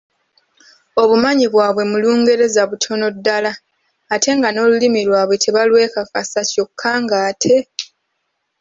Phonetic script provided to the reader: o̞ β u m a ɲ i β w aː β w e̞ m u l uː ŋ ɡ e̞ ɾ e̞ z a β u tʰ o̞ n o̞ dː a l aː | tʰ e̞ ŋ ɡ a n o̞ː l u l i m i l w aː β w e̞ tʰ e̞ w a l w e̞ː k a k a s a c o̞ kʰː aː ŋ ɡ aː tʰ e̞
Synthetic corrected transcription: o̞ β u m a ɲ i β w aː β w e̞ m u l uː ŋ ɡ e̞ ɾ e̞ z a β u tʰ o̞ n o̞ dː a l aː | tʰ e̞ ŋ ɡ a n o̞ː l u l i m i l w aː β w e̞ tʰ e̞ β a l w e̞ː k a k a s a c o̞ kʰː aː ŋ ɡ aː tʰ e̞